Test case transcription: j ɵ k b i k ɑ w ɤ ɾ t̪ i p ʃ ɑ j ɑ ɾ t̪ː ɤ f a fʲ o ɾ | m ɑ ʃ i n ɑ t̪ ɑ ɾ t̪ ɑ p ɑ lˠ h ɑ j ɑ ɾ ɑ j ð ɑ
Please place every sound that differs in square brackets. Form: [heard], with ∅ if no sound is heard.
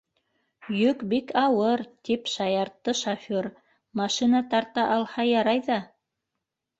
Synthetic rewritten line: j ɵ k b i k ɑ w ɤ ɾ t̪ i p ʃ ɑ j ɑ ɾ t̪ː ɤ [ʃ] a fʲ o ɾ | m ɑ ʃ i n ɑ t̪ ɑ ɾ t̪ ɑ [ʔ] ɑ lˠ h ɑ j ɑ ɾ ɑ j ð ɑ